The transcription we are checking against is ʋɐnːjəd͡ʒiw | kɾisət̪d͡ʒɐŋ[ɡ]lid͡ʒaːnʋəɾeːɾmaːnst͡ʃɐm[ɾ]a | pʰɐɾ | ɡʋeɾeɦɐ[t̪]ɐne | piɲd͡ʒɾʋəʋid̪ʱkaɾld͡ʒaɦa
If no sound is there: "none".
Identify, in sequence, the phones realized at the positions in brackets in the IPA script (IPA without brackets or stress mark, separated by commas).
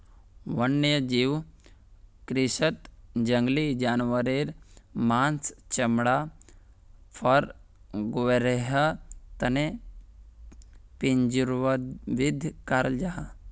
ɡ, ɽ, t̪